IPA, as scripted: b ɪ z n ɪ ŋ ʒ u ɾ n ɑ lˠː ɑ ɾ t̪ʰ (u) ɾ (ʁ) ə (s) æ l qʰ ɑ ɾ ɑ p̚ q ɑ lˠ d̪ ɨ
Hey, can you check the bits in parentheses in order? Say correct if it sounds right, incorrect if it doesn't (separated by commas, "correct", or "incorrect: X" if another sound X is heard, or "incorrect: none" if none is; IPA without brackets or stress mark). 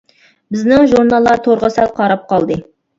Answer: incorrect: o, correct, correct